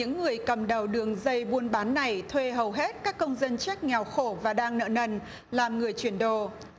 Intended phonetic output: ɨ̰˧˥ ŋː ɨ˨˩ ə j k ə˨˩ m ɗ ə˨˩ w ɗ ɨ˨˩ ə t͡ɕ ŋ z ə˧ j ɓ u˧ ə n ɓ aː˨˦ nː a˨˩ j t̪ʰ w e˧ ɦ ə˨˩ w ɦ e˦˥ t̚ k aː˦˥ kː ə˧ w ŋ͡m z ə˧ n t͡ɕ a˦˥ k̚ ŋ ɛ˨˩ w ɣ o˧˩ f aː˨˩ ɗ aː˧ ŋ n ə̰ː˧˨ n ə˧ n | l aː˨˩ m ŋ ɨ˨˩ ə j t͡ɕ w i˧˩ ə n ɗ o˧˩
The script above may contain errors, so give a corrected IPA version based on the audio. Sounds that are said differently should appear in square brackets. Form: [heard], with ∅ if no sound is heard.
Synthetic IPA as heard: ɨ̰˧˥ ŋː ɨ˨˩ ə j k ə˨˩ m ɗ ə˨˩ w ɗ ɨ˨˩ ə [∅] ŋ z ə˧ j ɓ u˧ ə n ɓ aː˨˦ nː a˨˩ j t̪ʰ w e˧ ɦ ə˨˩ w ɦ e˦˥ t̚ k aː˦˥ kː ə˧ w ŋ͡m z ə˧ n t͡ɕ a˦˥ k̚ ŋ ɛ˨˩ w [x] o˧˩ [v] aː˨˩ ɗ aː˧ ŋ n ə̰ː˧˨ n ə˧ n | l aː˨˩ m ŋ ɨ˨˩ ə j t͡ɕ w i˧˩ ə n ɗ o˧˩

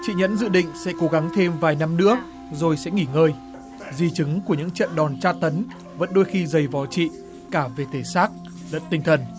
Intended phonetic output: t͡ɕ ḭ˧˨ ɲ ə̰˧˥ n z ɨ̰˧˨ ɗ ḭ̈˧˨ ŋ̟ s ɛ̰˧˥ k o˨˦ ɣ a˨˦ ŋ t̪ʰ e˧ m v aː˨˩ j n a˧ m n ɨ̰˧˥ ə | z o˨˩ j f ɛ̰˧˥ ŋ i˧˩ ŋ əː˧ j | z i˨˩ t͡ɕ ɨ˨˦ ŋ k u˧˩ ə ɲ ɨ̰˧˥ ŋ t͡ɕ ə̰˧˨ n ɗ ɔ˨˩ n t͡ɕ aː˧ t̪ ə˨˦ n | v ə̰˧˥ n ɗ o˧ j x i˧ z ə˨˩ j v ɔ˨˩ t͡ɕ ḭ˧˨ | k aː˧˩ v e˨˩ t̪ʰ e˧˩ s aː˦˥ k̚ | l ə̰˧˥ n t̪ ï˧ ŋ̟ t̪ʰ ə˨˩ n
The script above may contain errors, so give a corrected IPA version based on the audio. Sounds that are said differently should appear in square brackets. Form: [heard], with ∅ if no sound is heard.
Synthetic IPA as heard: t͡ɕ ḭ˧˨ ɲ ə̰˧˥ n z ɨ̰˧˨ ɗ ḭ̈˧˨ ŋ̟ s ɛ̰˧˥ k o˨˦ ɣ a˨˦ ŋ t̪ʰ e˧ m v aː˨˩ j n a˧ m n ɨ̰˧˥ ə | z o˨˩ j [s] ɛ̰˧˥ ŋ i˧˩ ŋ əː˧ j | z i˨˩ t͡ɕ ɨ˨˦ ŋ k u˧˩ ə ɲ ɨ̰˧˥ ŋ t͡ɕ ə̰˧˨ n ɗ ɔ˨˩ n t͡ɕ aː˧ t̪ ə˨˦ n | v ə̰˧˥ n ɗ o˧ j x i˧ z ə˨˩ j v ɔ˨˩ t͡ɕ ḭ˧˨ | k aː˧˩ v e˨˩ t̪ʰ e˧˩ s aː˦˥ k̚ | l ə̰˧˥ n t̪ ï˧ ŋ̟ t̪ʰ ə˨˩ n

